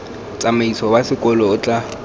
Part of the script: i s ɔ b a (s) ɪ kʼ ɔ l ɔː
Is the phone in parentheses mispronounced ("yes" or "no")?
no